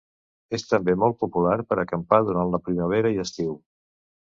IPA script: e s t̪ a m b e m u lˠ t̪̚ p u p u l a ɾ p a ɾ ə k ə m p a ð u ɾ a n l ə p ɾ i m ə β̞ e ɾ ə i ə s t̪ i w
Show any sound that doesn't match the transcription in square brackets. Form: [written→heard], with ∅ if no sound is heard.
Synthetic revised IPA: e s t̪ [a→ə] m b e m [u→ɔ] lˠ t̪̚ p u p u l a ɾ p [a→ə] ɾ ə k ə m p a ð u ɾ a n l ə p ɾ i m ə β̞ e ɾ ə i ə s t̪ i w